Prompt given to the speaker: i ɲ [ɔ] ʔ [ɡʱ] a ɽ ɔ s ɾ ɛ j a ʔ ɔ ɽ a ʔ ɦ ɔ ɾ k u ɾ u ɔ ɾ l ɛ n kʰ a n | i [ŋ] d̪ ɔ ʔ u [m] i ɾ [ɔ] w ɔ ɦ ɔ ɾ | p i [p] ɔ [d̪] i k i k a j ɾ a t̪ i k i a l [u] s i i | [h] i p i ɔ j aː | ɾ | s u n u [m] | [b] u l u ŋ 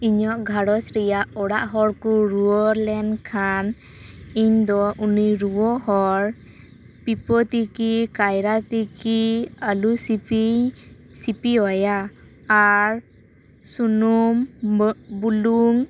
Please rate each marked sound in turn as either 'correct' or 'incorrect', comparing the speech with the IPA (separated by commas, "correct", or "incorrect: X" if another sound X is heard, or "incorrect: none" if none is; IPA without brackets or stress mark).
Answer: correct, correct, incorrect: ɲ, incorrect: n, incorrect: u, correct, incorrect: t̪, correct, incorrect: s, correct, correct